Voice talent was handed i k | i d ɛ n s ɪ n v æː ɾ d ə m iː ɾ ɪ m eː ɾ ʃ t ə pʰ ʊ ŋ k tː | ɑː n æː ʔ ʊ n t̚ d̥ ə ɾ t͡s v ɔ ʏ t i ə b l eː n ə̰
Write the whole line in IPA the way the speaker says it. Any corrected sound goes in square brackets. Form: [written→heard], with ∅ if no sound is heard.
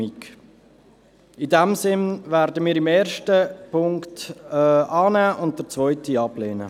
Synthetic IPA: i k | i d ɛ [n→m] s ɪ n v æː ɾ d ə m iː ɾ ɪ m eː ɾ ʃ t ə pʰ ʊ ŋ k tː | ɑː n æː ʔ ʊ n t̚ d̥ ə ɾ t͡s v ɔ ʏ t i [ə→ɑ] b l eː n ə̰

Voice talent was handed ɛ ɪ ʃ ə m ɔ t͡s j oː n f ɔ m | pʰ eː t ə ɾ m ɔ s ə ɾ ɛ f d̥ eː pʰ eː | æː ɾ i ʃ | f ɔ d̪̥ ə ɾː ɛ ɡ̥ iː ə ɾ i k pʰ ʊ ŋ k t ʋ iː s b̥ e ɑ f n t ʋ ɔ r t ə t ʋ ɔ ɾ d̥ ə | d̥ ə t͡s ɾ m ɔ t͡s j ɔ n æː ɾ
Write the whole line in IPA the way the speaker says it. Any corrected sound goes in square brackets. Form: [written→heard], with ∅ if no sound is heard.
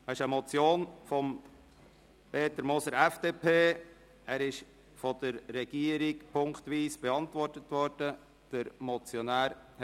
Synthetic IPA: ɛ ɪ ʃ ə m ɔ t͡s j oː n f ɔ m | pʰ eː t ə ɾ m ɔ s ə ɾ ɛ f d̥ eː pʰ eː | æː ɾ [i→ɪ] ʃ | f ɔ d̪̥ ə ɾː ɛ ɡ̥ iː ə ɾ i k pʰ ʊ ŋ k t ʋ iː s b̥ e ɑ [f→∅] n t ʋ ɔ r t ə t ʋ ɔ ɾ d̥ ə | d̥ ə [t͡s→∅] ɾ m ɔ t͡s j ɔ n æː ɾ

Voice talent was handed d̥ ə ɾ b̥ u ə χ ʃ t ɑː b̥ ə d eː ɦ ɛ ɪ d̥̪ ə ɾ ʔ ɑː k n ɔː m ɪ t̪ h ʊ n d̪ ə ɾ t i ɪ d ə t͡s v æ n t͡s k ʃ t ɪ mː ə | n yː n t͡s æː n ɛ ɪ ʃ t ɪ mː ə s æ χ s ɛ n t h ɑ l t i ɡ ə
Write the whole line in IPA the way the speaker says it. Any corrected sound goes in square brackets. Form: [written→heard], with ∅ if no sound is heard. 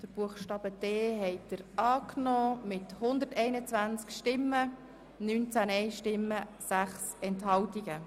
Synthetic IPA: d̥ ə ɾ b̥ u ə χ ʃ t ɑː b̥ ə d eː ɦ ɛ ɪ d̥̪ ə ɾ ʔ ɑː k n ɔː m ɪ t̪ h ʊ n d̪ ə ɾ t [i→ɛ] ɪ [d→n] ə t͡s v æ n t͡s k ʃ t ɪ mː ə | n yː n t͡s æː n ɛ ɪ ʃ t ɪ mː ə s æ χ s ɛ n t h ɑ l t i ɡ ə

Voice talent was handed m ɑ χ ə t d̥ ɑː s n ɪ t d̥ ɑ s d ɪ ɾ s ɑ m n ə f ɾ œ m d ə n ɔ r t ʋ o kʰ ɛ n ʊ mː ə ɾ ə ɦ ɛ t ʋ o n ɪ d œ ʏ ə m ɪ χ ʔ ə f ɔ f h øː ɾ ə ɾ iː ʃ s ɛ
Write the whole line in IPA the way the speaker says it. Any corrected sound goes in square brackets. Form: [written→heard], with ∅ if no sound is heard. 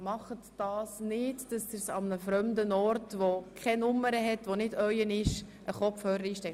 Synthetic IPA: m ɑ χ ə t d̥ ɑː s n ɪ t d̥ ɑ s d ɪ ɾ s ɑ m n ə f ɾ œ m d ə n ɔ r t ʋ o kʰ ɛ n ʊ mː ə ɾ ə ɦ ɛ t ʋ o n ɪ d œ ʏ ə [m→n] ɪ [χ→ʃ] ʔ ə [f→χ] ɔ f h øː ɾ ə ɾ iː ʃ [s→t] ɛ

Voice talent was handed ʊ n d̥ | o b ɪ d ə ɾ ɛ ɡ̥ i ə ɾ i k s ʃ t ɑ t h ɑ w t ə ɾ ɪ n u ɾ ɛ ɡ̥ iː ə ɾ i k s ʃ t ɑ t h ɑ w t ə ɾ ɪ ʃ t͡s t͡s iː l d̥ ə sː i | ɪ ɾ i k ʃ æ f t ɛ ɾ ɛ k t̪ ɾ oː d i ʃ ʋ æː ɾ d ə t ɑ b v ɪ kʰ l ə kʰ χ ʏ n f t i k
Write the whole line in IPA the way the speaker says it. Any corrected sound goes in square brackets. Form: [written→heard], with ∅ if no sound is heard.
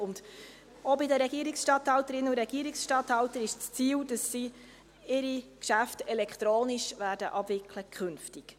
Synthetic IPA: ʊ n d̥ | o b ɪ d ə ɾ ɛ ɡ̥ i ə ɾ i k s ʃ t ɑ t h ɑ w t ə ɾ ɪ n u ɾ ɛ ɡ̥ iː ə ɾ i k s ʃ t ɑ t h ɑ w t ə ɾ ɪ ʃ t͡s t͡s iː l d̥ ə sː i | ɪ ɾ i k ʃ æ f t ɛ [ɾ→l] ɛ k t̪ ɾ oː [d→n] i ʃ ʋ æː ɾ d ə [t→ʔ] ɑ b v ɪ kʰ l ə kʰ χ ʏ n f t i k

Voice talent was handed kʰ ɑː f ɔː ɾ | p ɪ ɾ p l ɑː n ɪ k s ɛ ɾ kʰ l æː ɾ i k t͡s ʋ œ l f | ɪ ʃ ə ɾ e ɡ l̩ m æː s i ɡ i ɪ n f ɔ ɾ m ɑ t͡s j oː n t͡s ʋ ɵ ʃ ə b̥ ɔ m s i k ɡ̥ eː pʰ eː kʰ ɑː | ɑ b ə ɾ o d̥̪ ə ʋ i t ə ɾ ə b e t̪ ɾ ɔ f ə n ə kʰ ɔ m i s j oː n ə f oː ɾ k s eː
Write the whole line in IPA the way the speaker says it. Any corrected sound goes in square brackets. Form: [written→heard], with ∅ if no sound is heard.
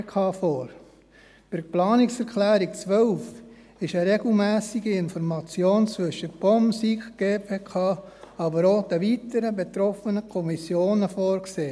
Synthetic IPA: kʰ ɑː f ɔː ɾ | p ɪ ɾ p l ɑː n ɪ k s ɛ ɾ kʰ l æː ɾ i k t͡s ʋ œ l f | ɪ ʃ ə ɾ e ɡ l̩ m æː s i ɡ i ɪ n f ɔ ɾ m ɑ t͡s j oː n t͡s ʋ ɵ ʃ ə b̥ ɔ m s i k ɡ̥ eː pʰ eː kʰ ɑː | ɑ b ə ɾ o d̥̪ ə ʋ i t ə ɾ ə b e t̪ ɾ ɔ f ə n ə kʰ ɔ m i s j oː n ə f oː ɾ k s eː

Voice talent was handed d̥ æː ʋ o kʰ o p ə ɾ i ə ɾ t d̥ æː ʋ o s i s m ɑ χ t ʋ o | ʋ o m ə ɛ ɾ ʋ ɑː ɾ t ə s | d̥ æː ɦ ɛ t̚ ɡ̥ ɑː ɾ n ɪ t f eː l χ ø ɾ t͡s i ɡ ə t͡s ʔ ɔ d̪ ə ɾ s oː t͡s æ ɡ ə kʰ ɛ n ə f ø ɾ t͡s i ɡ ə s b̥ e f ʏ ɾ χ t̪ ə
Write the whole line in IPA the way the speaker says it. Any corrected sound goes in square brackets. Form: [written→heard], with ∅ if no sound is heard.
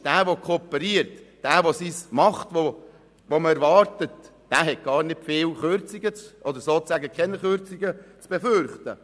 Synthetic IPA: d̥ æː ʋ o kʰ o p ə ɾ i ə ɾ t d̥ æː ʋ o s i s m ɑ χ t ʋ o | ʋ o m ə ɛ ɾ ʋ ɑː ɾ t ə [s→t] | d̥ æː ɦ ɛ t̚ ɡ̥ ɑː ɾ n ɪ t f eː l χ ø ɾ t͡s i ɡ ə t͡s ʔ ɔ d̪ ə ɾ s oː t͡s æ ɡ ə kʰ ɛ n ə [f→χ] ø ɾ t͡s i ɡ ə [s→t͡s] b̥ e f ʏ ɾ χ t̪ ə

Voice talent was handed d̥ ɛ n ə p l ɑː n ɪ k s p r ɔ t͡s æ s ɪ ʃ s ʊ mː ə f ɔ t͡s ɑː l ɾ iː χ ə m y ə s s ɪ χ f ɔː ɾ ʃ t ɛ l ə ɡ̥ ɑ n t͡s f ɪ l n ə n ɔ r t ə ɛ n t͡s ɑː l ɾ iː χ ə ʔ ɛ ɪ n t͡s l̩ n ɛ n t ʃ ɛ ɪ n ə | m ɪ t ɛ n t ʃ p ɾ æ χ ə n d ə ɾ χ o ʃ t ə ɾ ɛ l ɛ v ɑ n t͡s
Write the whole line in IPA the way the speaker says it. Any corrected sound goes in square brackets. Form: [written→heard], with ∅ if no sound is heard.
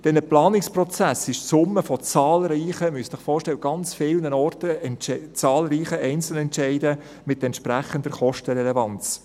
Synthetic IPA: d̥ ɛ n ə p l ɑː n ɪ k s p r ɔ t͡s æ s ɪ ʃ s ʊ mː ə f ɔ t͡s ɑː l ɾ iː χ ə m y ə s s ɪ χ f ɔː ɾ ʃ t ɛ l ə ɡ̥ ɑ n t͡s f ɪ l n ə n ɔ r t ə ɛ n t͡s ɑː l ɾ iː χ ə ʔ ɛ ɪ n t͡s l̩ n ɛ n t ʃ ɛ ɪ [n→d] ə | m ɪ t ɛ n t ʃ p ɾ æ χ ə n d ə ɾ χ [o→ɔ] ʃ t ə ɾ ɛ l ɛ v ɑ n t͡s

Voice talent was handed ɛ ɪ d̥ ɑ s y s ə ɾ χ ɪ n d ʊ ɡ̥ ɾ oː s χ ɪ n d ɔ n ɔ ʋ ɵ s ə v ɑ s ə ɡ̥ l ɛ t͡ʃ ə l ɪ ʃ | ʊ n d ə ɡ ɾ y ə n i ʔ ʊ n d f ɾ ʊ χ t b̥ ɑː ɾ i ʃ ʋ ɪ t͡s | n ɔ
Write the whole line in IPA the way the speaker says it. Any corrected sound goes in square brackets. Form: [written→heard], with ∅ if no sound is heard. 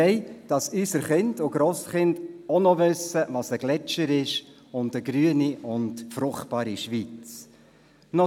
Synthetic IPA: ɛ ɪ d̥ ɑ s y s ə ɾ χ ɪ n d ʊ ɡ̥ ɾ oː s χ ɪ n d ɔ n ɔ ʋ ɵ s ə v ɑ s ə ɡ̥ l ɛ t͡ʃ ə [l→ɾ] ɪ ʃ | ʊ n d ə ɡ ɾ y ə n i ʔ ʊ n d f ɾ ʊ χ t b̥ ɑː ɾ i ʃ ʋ [ɪ→i] t͡s | n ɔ

